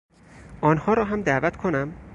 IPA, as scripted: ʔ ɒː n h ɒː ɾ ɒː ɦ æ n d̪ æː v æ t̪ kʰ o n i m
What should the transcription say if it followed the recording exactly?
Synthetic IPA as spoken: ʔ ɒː n h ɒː ɾ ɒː ɦ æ m d̪ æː v æ t̪ kʰ o n æ m